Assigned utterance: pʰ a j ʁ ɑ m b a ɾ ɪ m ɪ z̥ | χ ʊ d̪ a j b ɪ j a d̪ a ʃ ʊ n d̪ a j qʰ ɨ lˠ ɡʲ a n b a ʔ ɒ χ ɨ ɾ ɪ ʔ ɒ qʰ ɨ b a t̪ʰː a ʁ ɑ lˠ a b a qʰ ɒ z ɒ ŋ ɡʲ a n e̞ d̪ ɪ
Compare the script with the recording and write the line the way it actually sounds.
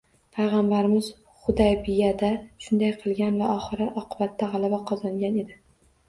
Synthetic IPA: pʰ a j ʁ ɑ m b a ɾ ɪ m ɪ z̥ | χ ʊ d̪ a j b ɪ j a d̪ a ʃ ʊ n d̪ a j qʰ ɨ lˠ ɡʲ a n v a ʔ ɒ χ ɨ ɾ ɪ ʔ ɒ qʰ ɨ b a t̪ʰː a ʁ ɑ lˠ a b a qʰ ɒ z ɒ ŋ ɡʲ a n e̞ d̪ ɪ

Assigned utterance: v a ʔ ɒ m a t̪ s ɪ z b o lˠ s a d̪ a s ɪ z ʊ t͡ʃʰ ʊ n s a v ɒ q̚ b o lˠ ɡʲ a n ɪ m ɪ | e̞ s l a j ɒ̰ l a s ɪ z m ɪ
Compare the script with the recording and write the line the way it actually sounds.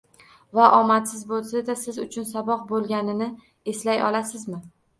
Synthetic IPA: v a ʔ ɒ m a t̪ s ɪ z b o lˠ s a d̪ a s ɪ z ʊ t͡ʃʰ ʊ n s a b ɒ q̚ b o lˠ ɡʲ a n ɪ n ɪ | e̞ s l a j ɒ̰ l a s ɪ z m ɪ

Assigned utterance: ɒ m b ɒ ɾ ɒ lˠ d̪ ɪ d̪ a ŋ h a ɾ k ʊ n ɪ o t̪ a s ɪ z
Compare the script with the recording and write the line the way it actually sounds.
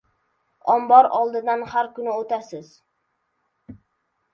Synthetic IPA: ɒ m b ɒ ɾ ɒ lˠ d̪ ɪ d̪ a n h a ɾ k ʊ n ɪ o t̪ a s ɪ z

